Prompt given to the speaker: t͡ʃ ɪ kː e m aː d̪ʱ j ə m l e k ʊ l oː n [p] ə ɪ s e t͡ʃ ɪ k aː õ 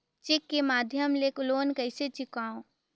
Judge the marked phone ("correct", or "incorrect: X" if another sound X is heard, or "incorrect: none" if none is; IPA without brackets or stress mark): incorrect: k